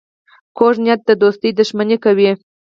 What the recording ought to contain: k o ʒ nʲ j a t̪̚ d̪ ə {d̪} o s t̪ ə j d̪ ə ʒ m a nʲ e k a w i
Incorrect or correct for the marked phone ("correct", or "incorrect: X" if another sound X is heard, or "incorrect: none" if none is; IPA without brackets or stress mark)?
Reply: correct